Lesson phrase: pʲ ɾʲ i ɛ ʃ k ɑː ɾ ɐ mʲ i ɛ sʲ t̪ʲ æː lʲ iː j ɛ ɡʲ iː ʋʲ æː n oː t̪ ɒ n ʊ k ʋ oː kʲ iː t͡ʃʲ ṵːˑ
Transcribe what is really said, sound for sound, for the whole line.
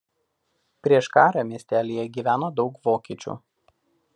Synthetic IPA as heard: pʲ ɾʲ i ɛ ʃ k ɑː ɾ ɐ mʲ i ɛ sʲ t̪ʲ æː lʲ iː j ɛ ɡʲ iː ʋʲ æː n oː d̪ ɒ ʊ k ʋ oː kʲ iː t͡ʃʲ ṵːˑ